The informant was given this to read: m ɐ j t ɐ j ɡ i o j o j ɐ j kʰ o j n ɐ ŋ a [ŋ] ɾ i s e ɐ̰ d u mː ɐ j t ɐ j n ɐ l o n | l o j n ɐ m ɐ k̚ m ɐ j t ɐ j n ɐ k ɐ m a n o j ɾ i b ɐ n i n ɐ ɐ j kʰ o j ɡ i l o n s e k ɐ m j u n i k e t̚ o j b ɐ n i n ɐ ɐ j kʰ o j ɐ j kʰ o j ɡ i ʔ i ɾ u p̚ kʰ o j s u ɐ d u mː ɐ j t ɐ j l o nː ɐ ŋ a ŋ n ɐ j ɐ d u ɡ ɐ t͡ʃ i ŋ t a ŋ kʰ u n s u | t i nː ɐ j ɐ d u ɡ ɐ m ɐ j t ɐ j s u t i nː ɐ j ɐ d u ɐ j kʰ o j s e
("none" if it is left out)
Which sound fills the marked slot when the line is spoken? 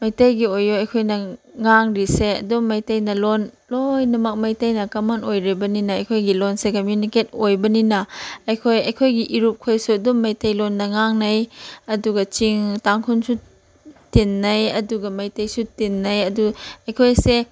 ŋ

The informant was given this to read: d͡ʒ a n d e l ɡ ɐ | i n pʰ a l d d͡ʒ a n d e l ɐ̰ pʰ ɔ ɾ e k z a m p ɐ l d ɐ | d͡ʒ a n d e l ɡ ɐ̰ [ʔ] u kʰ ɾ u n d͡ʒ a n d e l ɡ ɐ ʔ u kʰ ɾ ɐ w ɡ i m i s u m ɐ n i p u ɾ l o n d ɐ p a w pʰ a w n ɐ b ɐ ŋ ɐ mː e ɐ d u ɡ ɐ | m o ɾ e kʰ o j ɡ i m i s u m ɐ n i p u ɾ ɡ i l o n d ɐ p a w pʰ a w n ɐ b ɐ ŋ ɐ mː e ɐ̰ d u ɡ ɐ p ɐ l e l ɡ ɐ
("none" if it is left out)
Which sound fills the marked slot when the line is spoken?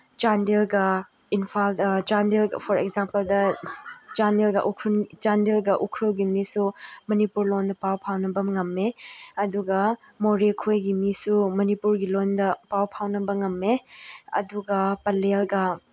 ʔ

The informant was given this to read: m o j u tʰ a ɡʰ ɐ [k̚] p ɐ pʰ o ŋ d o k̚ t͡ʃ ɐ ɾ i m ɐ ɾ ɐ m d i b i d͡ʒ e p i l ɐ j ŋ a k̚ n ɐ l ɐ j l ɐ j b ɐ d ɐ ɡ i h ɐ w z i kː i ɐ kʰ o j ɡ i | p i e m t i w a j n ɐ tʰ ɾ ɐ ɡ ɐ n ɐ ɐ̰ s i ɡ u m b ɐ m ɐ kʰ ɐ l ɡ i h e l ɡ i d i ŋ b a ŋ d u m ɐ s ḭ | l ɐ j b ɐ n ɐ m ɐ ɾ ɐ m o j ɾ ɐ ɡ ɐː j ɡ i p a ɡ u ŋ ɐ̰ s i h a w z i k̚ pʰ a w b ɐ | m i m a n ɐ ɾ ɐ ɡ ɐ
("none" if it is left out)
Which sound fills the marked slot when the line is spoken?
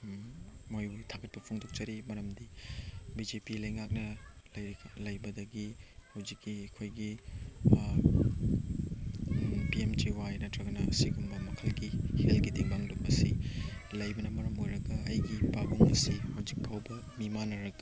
t̚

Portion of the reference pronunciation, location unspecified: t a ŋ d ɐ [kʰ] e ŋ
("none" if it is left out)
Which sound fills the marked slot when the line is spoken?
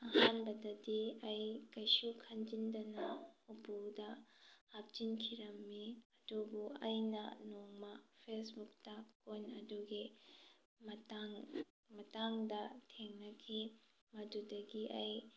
tʰ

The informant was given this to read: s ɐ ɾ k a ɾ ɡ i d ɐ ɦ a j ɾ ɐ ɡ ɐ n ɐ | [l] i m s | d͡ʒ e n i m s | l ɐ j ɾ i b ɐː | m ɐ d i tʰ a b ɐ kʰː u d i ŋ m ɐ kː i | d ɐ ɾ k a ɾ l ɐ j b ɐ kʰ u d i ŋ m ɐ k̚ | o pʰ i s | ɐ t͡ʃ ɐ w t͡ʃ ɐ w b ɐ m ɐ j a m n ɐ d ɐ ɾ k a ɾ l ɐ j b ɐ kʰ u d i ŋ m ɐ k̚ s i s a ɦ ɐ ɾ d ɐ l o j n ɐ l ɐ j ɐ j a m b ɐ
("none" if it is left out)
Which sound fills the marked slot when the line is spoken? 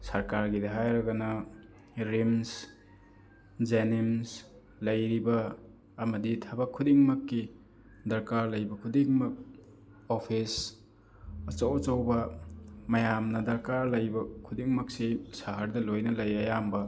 ɾ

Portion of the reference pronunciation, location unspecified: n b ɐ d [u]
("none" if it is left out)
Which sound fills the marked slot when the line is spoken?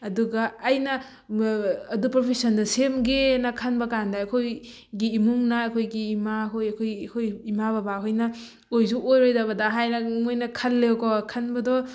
ɔ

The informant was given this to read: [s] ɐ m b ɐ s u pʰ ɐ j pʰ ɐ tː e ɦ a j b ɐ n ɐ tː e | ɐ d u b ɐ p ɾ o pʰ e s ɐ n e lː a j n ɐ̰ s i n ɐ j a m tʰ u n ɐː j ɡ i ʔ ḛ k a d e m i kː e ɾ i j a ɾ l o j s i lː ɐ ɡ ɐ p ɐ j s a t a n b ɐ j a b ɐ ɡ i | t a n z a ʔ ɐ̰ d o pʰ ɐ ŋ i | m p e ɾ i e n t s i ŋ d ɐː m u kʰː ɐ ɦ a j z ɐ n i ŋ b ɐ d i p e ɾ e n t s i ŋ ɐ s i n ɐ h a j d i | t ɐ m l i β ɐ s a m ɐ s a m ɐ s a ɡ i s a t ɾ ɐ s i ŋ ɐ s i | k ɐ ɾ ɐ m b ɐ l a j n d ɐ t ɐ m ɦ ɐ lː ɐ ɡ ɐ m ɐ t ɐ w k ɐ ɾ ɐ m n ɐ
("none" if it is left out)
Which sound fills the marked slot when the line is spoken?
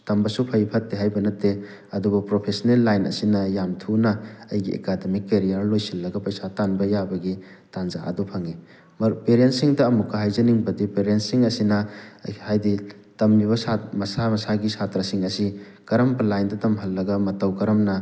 t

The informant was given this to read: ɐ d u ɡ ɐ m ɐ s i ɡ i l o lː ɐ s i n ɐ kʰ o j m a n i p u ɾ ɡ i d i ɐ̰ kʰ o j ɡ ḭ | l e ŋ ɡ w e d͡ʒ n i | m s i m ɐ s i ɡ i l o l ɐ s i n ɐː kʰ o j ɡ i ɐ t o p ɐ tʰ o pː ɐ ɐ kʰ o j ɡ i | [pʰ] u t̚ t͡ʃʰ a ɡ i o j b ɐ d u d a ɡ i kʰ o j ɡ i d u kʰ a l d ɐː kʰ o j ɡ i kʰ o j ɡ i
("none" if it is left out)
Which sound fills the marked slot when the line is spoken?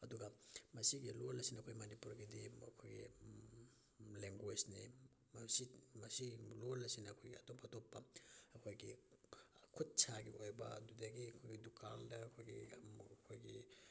kʰ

